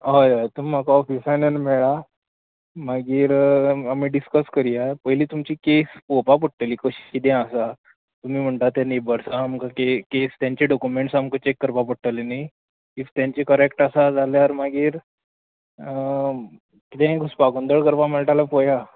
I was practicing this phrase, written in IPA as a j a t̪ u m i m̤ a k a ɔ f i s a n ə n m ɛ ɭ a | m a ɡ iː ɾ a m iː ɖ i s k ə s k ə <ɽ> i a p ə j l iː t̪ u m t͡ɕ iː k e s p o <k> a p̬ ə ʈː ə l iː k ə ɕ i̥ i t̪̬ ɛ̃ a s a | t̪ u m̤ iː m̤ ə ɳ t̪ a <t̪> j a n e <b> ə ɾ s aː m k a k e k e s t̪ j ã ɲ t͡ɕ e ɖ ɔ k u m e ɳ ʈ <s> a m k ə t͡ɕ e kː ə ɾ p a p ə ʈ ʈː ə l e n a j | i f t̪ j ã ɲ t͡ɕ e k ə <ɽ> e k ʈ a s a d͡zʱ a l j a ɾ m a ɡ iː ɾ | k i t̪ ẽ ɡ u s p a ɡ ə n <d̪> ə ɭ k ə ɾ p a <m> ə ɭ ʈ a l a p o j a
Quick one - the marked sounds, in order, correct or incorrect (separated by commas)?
incorrect, incorrect, correct, correct, correct, incorrect, correct, correct